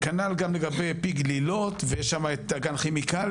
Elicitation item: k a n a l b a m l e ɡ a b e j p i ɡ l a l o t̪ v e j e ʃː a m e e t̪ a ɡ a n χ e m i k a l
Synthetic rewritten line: k a n a l ɡ a m l e ɡ a b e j p i ɡ l i l o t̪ v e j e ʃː a m a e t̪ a ɡ a n χ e m i k a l